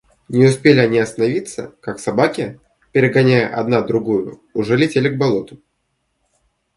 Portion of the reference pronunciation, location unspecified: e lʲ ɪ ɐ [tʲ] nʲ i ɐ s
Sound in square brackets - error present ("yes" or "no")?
yes